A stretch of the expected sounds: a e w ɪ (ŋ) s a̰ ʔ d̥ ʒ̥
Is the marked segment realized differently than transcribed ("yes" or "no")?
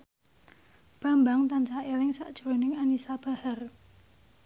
no